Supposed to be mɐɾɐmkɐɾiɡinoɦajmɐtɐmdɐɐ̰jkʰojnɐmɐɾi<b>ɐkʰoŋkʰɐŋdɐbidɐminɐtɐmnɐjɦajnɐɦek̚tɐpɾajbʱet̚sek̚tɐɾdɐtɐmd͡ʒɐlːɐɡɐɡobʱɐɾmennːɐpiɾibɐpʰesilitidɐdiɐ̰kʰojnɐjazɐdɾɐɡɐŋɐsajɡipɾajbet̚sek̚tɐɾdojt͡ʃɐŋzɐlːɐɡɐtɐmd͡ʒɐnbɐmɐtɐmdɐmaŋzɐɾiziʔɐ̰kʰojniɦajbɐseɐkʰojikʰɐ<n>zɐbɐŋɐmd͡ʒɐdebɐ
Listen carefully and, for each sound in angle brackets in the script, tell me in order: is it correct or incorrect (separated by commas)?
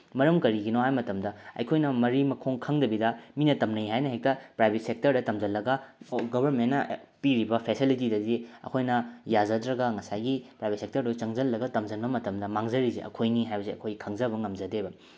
incorrect, incorrect